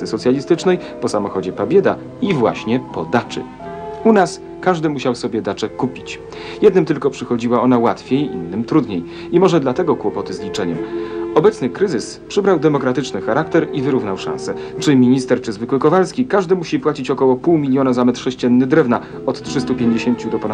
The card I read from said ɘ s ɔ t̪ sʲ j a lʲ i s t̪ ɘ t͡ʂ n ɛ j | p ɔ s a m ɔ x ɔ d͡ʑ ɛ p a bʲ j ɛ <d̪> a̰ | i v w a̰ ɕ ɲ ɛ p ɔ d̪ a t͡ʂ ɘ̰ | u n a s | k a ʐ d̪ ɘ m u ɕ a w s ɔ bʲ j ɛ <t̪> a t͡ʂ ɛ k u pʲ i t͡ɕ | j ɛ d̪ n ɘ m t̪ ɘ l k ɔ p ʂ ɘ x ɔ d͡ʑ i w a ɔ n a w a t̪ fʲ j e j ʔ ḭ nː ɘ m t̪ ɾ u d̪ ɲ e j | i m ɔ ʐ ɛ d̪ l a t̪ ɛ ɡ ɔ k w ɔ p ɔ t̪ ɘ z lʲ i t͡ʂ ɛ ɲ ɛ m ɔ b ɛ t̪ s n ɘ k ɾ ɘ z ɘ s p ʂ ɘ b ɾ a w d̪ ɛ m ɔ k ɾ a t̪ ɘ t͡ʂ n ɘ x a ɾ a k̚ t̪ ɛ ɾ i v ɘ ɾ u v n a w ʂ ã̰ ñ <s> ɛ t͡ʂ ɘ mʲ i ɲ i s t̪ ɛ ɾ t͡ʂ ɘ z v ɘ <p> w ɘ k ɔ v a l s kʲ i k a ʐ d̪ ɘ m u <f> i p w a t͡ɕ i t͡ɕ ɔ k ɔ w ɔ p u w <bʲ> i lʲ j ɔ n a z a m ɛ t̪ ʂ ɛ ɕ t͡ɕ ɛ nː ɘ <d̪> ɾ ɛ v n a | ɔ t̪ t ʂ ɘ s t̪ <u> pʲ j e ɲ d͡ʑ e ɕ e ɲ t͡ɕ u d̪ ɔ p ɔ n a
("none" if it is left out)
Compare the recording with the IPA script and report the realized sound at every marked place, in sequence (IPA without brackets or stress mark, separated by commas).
d̪, d̪, s, k, ɕ, mʲ, d̪, u